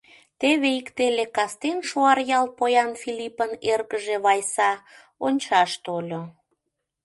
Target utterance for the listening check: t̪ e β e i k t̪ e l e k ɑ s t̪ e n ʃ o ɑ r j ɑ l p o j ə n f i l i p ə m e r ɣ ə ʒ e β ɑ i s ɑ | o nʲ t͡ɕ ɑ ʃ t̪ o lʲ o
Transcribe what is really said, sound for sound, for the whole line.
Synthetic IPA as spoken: t̪ e β e i k t̪ e l e k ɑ s t̪ e n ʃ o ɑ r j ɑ l p o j ɑ n f i l i p ə n e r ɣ ə ʒ e β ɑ j s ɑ | o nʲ t͡ɕ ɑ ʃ t̪ o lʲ o